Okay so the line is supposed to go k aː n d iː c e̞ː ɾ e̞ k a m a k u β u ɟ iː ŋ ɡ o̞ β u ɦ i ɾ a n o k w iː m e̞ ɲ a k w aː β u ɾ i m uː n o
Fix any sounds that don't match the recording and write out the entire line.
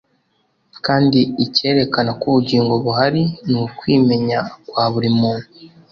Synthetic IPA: k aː n d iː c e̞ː ɾ e̞ k a n a k u β u ɟ iː ŋ ɡ o̞ β u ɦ a ɾ i n u k w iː m e̞ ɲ a k w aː β u ɾ i m uː n u